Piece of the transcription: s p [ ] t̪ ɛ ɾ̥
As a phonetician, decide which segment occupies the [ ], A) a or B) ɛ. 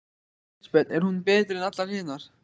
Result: B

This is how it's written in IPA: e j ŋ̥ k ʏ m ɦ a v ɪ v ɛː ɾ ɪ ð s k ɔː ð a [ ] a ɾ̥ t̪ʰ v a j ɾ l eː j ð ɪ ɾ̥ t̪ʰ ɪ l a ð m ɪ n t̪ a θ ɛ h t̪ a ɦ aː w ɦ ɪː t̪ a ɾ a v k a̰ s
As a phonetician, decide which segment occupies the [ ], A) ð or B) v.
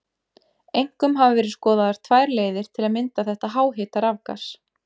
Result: A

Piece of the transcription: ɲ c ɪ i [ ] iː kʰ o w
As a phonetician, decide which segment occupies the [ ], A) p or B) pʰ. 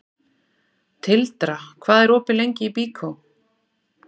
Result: A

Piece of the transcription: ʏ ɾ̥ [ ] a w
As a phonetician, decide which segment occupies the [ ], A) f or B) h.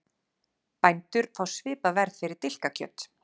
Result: A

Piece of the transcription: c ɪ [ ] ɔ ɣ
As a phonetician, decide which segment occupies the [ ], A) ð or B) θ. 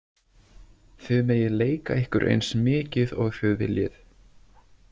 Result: A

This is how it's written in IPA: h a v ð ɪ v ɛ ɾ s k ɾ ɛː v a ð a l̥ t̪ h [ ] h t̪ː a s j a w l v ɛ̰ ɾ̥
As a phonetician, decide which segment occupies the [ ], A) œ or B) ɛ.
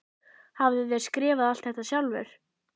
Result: B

